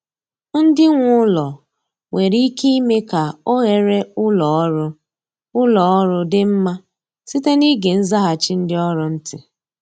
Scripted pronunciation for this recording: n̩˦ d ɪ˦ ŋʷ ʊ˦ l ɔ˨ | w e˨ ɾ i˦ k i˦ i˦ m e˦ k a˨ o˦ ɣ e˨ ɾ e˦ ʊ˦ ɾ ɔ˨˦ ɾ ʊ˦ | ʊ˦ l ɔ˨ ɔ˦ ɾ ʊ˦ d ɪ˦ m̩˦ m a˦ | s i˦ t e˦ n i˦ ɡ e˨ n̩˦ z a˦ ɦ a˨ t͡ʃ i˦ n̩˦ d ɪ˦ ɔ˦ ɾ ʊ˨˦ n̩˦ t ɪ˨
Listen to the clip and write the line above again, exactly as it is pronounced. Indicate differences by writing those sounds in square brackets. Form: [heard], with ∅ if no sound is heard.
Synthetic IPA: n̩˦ d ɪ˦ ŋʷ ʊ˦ l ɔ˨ | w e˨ ɾ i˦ k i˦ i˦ m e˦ k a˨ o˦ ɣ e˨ ɾ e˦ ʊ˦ [l] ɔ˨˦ ɾ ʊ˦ | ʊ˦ l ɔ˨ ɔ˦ ɾ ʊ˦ d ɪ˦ m̩˦ m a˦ | s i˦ t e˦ n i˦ ɡ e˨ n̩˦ z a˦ ɦ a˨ t͡ʃ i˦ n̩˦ d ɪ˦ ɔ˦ ɾ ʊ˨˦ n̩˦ t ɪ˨